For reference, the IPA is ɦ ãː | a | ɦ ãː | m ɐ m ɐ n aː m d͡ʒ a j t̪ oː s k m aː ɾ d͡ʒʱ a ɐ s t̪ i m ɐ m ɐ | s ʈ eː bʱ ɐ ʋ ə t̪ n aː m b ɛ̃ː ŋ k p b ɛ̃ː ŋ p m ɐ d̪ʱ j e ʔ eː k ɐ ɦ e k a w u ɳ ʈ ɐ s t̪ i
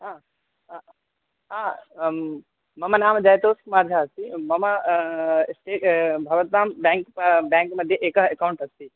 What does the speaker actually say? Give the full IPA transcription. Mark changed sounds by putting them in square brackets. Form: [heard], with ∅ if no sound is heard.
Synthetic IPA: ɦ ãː | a | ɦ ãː | m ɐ m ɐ n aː m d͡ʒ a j t̪ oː s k m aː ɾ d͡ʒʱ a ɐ s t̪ i m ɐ m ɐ | s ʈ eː bʱ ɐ ʋ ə t̪ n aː m b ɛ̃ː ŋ k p b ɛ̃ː ŋ [k] m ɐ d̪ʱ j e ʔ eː k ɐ ɦ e k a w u ɳ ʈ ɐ s t̪ i